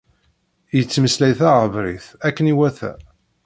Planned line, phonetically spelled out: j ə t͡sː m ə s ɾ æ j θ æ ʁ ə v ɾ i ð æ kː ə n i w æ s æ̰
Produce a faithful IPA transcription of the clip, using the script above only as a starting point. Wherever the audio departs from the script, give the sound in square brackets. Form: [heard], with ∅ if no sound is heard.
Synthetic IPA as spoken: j ə t͡sː m ə s [l] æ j θ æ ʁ ə v ɾ i [θ] æ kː ə n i w æ [θ] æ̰